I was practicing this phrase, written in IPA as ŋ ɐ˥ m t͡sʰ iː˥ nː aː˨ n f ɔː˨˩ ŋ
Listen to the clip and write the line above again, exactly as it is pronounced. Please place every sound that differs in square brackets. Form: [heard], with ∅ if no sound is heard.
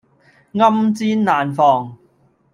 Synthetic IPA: ŋ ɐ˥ m [t͡s] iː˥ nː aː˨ n f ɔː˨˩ ŋ